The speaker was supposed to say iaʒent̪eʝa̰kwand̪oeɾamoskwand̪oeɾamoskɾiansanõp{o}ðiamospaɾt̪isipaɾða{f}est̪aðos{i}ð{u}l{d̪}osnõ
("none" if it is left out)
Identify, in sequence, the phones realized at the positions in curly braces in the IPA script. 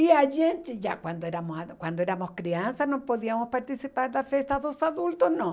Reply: o, f, a, u, t̪

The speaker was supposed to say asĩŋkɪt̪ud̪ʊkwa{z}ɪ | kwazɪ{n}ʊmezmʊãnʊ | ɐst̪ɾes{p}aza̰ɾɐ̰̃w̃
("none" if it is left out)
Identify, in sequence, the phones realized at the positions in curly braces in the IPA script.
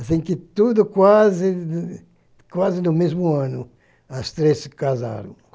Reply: z, n, k

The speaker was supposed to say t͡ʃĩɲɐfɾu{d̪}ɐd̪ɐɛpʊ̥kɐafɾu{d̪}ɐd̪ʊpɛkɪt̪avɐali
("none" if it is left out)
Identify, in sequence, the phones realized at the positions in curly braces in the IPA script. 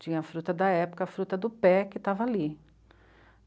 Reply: t̪, t̪

